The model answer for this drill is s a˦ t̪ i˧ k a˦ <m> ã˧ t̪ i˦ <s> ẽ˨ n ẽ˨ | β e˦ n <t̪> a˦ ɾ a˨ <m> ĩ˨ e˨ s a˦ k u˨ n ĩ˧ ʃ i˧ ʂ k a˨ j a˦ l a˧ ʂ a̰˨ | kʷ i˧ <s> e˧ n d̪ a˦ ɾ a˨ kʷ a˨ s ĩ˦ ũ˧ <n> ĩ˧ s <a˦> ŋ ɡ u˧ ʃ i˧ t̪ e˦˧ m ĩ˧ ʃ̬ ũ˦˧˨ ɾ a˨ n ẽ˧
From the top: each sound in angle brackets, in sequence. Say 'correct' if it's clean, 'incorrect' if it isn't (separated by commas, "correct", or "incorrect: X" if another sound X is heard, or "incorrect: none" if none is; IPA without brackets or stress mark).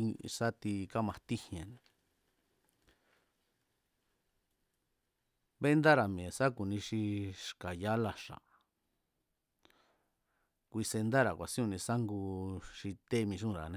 correct, incorrect: h, incorrect: d̪, correct, correct, correct, correct